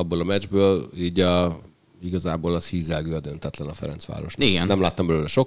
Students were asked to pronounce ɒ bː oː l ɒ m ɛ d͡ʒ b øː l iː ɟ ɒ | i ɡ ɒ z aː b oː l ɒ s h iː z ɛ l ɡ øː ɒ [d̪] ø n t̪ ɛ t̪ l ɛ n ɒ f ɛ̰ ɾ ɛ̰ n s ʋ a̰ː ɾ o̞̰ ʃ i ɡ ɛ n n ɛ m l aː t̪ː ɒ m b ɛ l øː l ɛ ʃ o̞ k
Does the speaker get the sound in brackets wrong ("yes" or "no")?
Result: no